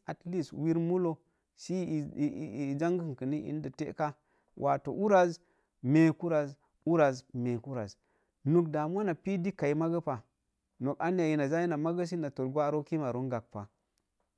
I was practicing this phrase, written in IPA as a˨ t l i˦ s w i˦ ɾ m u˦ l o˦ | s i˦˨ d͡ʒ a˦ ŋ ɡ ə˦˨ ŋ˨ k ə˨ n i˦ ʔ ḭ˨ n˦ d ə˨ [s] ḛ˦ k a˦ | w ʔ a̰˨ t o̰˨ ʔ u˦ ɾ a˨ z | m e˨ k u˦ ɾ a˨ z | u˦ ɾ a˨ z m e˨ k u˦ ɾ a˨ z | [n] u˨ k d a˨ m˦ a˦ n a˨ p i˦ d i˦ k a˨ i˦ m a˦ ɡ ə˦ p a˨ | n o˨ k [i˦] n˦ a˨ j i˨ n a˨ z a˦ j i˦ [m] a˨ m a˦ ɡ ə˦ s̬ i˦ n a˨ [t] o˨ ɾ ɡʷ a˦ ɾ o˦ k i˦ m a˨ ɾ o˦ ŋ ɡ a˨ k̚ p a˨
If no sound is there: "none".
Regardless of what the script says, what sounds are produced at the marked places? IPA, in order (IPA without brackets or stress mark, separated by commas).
t, n, a˦, n, t